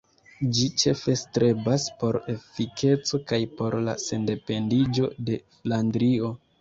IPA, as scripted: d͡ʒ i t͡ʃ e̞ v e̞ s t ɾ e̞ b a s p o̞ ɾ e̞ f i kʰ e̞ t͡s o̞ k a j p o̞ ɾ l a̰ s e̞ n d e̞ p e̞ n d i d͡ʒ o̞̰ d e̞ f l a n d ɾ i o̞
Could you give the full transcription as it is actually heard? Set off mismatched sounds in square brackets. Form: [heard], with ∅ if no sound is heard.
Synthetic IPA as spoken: d͡ʒ i t͡ʃ e̞ [f] e̞ s t ɾ e̞ b a s p o̞ ɾ e̞ f i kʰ e̞ t͡s o̞ k a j p o̞ ɾ l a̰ s e̞ n d e̞ p e̞ n d i d͡ʒ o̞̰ d e̞ f l a n d ɾ i o̞